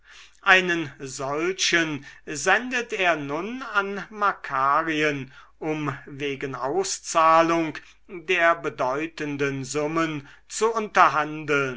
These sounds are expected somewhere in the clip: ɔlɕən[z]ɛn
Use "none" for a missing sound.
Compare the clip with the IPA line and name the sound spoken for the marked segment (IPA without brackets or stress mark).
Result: z